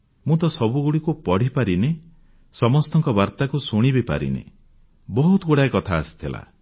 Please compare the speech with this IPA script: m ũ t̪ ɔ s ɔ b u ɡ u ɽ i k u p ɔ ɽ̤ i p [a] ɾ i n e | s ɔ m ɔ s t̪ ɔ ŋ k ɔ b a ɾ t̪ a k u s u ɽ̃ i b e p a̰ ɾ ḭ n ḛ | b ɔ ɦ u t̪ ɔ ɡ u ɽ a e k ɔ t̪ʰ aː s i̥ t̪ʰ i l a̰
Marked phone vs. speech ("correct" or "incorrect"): correct